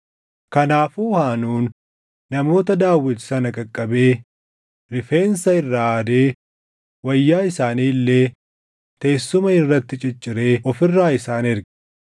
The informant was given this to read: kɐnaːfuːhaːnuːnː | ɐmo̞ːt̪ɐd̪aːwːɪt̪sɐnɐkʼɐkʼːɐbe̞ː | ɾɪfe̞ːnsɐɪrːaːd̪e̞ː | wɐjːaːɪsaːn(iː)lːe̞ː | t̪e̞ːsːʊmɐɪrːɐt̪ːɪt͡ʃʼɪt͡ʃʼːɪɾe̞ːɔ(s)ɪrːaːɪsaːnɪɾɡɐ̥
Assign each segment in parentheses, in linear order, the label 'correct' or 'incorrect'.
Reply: correct, incorrect

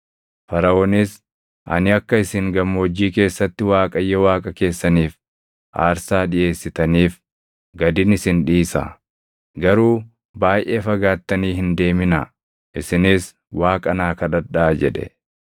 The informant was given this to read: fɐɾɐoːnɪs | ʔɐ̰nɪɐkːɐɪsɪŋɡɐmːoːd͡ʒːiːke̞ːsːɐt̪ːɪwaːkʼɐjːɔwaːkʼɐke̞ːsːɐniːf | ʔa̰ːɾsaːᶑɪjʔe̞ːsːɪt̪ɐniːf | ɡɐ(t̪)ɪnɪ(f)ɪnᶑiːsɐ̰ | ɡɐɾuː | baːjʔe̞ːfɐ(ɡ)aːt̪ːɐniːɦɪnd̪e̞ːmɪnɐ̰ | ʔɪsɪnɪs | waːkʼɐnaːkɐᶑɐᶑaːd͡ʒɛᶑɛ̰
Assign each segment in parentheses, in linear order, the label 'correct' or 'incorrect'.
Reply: incorrect, incorrect, correct

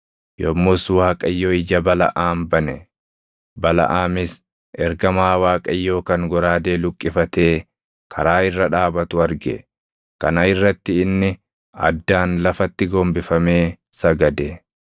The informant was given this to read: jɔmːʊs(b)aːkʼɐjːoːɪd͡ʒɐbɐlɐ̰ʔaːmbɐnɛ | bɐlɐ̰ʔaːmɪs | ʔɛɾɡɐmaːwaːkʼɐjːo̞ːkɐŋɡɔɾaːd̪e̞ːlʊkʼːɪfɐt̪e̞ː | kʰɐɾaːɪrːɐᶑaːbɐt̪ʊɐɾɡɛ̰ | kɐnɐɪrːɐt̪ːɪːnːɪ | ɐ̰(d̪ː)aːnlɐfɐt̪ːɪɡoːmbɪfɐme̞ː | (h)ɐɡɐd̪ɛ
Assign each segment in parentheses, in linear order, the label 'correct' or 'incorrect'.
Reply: incorrect, correct, incorrect

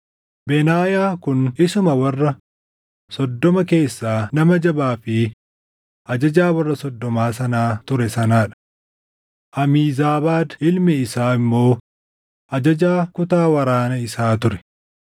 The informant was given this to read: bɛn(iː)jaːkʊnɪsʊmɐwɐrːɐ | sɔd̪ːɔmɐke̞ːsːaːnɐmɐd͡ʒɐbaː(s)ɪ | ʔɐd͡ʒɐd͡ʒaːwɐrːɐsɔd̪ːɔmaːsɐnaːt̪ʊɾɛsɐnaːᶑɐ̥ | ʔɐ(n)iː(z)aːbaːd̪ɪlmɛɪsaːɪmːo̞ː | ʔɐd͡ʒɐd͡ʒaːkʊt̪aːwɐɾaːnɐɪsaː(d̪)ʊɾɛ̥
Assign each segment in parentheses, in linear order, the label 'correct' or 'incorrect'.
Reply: incorrect, incorrect, incorrect, correct, incorrect

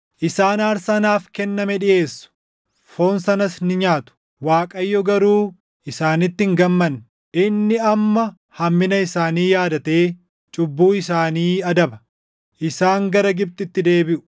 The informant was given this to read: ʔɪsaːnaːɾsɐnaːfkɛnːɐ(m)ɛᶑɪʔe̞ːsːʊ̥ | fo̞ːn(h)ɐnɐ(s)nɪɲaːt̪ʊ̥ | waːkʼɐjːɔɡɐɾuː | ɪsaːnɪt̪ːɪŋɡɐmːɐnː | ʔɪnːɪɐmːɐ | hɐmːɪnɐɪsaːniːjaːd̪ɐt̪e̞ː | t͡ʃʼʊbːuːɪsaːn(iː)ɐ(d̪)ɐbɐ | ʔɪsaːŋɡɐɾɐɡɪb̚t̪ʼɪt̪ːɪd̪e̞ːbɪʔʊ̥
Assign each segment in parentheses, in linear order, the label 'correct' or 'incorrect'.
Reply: correct, incorrect, correct, correct, correct

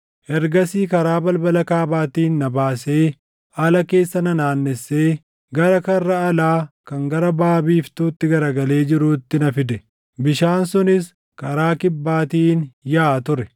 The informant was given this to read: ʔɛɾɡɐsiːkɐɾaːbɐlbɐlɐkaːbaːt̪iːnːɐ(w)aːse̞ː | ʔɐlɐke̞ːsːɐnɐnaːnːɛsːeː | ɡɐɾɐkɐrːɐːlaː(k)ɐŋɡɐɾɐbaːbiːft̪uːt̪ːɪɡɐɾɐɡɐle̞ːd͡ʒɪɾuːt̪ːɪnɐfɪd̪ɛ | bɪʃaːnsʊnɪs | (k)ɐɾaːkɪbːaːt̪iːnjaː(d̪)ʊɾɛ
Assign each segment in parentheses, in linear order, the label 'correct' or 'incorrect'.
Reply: incorrect, correct, correct, incorrect

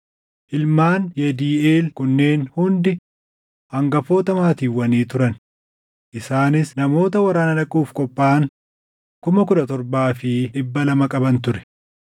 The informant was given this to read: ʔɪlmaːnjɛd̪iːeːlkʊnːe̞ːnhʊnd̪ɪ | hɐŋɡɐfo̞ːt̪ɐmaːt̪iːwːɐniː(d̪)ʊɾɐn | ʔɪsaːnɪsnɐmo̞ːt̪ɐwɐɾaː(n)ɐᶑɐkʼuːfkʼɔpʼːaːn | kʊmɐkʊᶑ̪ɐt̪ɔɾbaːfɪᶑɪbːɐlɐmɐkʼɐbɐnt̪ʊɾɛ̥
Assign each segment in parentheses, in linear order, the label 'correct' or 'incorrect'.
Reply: incorrect, correct

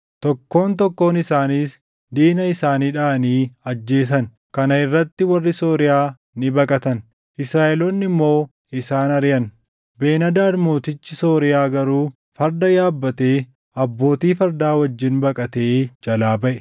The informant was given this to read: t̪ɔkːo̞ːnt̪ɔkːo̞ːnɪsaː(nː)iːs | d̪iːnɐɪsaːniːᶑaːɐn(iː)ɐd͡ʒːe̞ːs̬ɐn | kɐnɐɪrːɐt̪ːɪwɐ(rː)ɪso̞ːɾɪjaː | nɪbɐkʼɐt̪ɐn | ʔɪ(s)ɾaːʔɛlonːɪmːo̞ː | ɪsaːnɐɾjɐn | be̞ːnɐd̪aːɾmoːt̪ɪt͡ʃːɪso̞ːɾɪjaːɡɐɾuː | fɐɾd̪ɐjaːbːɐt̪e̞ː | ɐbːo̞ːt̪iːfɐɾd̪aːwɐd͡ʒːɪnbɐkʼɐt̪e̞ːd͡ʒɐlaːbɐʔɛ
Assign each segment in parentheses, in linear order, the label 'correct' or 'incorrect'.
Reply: incorrect, correct, correct, correct

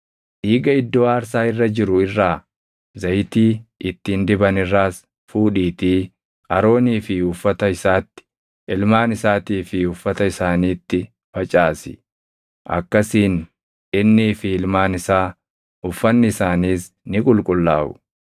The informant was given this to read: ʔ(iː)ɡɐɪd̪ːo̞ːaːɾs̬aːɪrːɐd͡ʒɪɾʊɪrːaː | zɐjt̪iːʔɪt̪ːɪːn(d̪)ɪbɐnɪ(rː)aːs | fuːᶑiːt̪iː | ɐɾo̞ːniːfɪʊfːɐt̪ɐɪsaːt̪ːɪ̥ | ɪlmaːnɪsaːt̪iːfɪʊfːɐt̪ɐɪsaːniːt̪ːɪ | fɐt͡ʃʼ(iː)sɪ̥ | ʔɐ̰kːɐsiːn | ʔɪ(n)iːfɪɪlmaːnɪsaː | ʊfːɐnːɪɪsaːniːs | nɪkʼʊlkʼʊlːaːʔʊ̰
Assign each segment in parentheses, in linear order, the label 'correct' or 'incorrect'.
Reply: correct, correct, correct, incorrect, incorrect

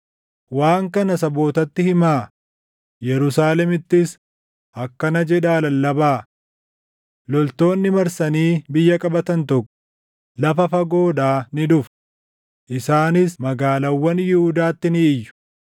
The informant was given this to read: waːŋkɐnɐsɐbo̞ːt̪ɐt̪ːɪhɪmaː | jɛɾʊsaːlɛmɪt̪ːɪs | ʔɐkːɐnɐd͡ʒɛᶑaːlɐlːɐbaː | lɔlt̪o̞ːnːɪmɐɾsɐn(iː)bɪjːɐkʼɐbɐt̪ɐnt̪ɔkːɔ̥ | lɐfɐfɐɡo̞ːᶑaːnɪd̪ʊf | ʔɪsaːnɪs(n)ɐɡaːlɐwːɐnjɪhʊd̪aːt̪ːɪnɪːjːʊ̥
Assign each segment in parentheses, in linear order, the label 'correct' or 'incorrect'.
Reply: correct, incorrect

